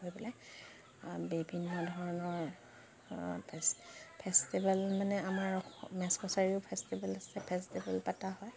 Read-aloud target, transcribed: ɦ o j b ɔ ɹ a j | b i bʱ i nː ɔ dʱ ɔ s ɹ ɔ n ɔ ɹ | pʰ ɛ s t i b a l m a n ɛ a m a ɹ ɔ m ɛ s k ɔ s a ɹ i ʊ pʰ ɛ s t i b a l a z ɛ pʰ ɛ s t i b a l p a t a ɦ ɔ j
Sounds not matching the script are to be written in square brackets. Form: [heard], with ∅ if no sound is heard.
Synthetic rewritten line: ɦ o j b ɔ [l] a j | b i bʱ i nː ɔ dʱ ɔ [∅] ɹ ɔ n ɔ ɹ | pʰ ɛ s t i b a l m a n ɛ a m a ɹ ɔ m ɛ s k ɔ s a ɹ i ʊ pʰ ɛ s t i b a l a [s] ɛ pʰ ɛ s t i b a l p a t a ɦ ɔ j

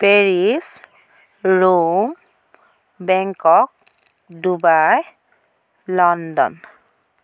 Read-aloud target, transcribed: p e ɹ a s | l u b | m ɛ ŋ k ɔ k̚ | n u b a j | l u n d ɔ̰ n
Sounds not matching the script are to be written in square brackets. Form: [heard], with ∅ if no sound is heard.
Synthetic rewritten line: p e ɹ [i] s | [ɹ] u [m] | [b] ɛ ŋ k ɔ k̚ | [d] u b a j | l [ɔ] n d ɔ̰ n

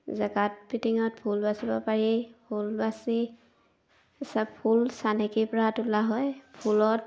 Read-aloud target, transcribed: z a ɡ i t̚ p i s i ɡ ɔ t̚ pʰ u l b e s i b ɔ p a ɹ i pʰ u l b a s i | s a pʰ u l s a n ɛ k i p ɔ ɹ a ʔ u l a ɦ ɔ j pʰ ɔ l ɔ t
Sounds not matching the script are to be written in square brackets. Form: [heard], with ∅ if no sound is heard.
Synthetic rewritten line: z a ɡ [a] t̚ p i [t] i [ŋ] ɔ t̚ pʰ u l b [a] s i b ɔ p a ɹ i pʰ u l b a s i | s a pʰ u l s a n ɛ k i p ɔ ɹ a [t] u l a ɦ ɔ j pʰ [u] l ɔ t

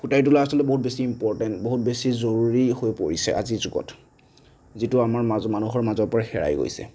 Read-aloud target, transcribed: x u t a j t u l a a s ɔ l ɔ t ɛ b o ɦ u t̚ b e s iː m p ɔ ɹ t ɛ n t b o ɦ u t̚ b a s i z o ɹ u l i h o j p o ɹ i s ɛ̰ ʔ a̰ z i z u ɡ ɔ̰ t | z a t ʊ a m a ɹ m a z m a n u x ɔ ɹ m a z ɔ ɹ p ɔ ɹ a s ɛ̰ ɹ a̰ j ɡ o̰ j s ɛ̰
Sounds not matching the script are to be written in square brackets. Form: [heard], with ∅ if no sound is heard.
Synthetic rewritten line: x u t a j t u l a a s ɔ l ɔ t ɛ b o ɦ u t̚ b e s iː m p ɔ ɹ t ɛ n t b o ɦ u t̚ b [e] s i z o ɹ u [ɹ] i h o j p o ɹ i s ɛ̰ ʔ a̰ z i z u ɡ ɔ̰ t | z [i] t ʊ a m a ɹ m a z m a n u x ɔ ɹ m a z ɔ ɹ p ɔ ɹ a [x] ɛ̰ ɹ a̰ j ɡ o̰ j s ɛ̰

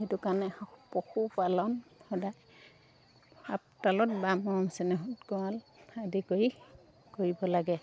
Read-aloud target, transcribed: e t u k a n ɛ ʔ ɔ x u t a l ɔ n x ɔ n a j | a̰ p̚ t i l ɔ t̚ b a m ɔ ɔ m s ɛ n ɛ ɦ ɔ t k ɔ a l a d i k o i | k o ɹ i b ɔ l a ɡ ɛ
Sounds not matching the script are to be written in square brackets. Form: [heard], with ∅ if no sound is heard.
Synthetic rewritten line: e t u k a n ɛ [p] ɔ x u [p] a l ɔ n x ɔ [d] a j | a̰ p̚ t [a] l ɔ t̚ b a m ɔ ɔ m s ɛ n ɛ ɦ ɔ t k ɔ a l a d i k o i | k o ɹ i b ɔ l a ɡ ɛ

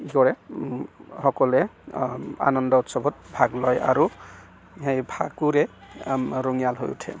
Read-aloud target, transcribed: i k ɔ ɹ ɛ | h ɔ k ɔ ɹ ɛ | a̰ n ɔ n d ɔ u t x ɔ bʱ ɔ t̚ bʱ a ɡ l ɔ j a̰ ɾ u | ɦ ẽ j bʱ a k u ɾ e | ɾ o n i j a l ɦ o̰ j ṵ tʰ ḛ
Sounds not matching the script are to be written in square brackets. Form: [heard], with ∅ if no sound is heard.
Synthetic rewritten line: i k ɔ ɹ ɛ | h ɔ k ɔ [l] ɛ | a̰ n ɔ n d ɔ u t [s] ɔ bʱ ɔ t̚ bʱ a ɡ l ɔ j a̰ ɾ u | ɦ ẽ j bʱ a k u ɾ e | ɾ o [ŋ] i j a l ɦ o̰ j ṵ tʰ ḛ

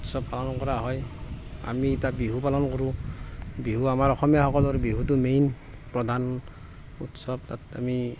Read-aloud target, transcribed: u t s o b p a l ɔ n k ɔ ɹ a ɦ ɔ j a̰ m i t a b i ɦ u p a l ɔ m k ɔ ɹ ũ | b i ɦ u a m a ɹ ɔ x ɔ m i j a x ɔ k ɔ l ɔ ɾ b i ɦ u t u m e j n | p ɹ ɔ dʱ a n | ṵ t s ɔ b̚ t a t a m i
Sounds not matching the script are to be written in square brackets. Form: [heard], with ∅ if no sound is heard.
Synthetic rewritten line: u t s [ɔ] b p a l ɔ n k ɔ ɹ a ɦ ɔ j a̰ m i t a b i ɦ u p a l ɔ [n] k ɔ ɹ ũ | b i ɦ u a m a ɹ ɔ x ɔ m i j a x ɔ k ɔ l ɔ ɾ b i ɦ u t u m e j n | p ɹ ɔ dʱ a n | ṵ t s ɔ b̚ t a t a m i

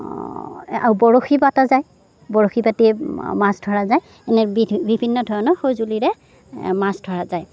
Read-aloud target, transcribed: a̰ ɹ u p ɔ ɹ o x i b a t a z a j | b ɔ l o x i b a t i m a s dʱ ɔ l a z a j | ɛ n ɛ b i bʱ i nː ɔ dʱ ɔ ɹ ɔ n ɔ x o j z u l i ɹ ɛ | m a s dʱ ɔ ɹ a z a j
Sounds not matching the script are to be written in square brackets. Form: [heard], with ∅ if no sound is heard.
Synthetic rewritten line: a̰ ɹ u [b] ɔ ɹ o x i b a t a z a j | b ɔ [ɹ] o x i b a t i m a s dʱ ɔ [ɹ] a z a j | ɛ n ɛ b i bʱ i nː ɔ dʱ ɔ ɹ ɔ n ɔ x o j z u l i ɹ ɛ | m a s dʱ ɔ ɹ a z a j

